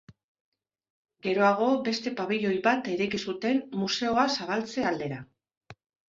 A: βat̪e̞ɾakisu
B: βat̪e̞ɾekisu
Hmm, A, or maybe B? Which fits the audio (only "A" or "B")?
B